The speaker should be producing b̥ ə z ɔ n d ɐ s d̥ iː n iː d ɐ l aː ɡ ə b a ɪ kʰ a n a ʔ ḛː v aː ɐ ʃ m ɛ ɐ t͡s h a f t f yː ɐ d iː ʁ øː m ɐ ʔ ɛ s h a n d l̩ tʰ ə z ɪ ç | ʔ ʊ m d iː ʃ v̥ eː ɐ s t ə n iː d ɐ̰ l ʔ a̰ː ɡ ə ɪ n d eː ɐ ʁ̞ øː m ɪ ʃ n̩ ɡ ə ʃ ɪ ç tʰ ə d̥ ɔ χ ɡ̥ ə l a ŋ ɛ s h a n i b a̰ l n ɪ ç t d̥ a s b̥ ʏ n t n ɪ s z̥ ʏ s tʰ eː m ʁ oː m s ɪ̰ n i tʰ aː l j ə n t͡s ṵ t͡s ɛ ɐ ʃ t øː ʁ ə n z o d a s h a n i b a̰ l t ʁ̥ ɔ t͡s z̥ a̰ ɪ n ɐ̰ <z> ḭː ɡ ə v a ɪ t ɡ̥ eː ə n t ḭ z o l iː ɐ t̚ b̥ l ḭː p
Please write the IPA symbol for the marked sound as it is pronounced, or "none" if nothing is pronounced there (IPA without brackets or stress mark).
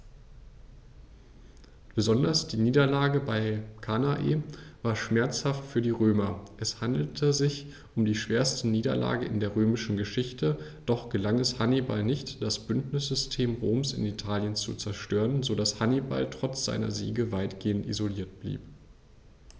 z